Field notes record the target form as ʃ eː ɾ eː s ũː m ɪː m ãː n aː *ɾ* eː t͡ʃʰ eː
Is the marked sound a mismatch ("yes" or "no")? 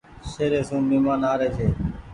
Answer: no